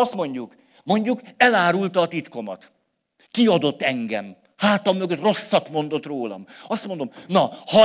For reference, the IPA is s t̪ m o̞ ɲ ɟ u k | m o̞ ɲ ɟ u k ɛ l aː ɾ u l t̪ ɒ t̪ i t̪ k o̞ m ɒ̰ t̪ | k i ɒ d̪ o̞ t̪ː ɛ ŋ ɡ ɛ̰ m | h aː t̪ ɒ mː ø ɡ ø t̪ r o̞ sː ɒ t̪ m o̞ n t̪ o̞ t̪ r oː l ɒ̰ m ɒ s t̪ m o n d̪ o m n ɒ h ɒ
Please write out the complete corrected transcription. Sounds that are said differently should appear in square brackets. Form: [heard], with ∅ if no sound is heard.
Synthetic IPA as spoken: s t̪ m o̞ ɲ ɟ u k | m o̞ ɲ ɟ u k ɛ l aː ɾ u l t̪ [ɒː] t̪ i t̪ k o̞ m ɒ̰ t̪ | k i ɒ d̪ o̞ t̪ː ɛ ŋ ɡ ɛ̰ m | h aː t̪ ɒ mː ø ɡ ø t̪ r o̞ sː ɒ t̪ m o̞ n [d̪] o̞ t̪ r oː l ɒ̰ m ɒ s t̪ m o n d̪ o m n ɒ h ɒ